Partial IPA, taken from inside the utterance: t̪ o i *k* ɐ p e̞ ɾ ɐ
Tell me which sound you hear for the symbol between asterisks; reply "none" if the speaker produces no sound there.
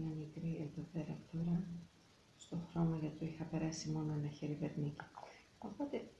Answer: x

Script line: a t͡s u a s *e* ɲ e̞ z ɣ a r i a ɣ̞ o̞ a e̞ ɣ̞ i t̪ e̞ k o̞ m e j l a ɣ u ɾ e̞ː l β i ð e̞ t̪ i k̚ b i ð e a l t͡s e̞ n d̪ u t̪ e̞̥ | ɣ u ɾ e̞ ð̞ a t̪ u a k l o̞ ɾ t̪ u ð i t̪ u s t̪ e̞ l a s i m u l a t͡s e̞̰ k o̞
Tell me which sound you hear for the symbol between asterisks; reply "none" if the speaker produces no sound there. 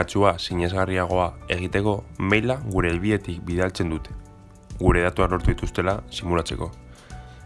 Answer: i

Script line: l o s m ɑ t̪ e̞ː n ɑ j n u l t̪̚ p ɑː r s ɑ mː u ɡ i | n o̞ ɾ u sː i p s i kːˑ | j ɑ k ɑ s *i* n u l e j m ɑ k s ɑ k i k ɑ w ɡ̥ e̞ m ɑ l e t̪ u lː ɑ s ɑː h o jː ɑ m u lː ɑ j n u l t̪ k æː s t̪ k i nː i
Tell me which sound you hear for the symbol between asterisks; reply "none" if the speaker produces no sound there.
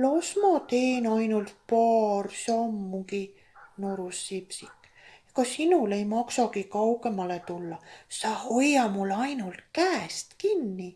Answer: i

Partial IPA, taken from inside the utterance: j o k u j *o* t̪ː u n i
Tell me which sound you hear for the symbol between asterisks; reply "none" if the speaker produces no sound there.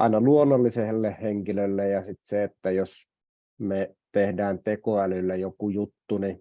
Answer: u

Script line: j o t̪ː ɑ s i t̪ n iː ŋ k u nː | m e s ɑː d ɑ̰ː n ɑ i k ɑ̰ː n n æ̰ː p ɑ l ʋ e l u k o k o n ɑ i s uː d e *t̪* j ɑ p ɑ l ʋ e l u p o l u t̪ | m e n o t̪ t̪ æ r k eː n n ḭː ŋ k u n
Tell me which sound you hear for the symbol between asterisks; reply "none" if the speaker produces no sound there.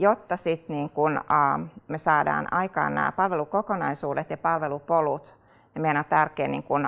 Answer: t̪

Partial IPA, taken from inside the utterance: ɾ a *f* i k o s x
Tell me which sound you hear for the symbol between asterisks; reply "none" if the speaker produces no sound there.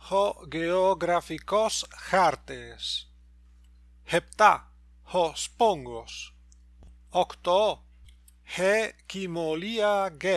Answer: f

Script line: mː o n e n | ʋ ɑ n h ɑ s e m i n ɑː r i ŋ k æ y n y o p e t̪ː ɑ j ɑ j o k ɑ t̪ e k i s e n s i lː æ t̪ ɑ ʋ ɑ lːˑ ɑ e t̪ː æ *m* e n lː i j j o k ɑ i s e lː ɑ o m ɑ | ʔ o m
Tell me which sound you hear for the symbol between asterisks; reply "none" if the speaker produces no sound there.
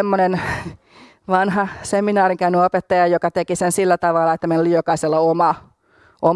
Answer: m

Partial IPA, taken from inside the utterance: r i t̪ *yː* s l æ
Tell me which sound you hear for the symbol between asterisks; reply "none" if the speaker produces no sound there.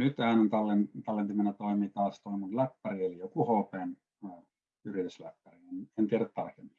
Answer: y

